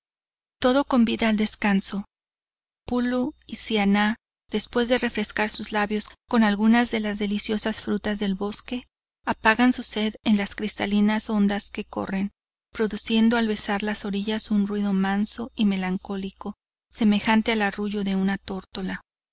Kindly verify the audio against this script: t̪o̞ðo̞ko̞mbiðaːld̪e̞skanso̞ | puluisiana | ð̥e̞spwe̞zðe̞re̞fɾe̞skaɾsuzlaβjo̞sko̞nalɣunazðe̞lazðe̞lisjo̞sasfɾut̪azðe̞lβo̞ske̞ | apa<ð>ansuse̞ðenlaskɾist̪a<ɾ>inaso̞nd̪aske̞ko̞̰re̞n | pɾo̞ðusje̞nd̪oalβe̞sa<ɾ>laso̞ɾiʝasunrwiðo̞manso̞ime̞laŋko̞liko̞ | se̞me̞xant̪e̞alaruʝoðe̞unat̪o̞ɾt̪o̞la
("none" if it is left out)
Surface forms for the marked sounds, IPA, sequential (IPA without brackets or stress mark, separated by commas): ɣ, l, ɾ